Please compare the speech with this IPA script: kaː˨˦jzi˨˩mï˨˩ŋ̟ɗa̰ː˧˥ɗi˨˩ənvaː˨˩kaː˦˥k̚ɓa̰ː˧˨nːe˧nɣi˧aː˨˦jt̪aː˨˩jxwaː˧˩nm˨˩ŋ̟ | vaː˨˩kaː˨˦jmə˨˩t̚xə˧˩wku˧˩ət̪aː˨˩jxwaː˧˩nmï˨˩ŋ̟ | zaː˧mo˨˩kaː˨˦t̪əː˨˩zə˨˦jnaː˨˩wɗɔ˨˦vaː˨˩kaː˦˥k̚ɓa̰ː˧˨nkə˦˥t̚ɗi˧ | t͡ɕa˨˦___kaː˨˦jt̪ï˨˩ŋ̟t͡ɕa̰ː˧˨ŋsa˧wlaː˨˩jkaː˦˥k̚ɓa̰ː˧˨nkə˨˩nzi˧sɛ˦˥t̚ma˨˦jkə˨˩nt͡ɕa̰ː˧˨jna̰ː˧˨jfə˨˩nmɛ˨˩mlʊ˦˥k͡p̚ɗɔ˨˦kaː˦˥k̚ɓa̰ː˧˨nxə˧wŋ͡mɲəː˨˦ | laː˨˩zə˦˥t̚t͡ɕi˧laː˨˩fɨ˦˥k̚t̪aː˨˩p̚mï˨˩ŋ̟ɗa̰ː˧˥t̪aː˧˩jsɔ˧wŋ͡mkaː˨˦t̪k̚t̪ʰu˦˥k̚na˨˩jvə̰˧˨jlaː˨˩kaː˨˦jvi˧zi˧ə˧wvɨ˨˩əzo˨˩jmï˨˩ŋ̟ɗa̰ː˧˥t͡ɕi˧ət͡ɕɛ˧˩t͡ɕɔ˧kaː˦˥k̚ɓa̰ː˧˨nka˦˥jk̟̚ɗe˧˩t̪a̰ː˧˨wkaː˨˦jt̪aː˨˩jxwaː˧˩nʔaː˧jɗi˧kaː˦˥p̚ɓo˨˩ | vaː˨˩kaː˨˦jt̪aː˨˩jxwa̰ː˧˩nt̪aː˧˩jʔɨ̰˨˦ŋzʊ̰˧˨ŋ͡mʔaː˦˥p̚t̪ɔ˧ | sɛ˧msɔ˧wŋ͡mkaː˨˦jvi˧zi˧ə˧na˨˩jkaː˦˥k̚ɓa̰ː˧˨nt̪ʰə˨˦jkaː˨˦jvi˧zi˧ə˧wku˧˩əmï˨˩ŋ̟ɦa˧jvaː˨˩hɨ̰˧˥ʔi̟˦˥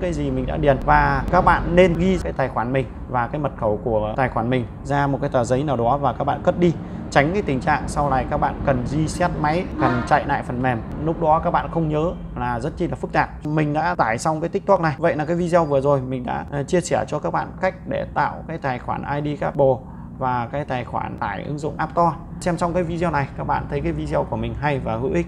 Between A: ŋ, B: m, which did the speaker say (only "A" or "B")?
A